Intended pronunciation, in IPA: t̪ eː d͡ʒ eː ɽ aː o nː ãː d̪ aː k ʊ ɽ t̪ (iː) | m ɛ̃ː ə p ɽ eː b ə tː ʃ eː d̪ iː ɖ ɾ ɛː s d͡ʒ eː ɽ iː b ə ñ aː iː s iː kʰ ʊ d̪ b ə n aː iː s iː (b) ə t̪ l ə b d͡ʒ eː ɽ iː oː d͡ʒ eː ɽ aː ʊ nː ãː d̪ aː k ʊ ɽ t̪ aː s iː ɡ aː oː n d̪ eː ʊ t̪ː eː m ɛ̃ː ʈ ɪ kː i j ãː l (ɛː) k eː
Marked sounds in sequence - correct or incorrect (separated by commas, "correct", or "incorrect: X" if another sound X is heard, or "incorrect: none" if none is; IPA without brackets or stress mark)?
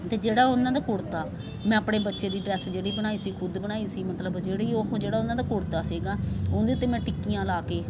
incorrect: aː, incorrect: m, incorrect: aː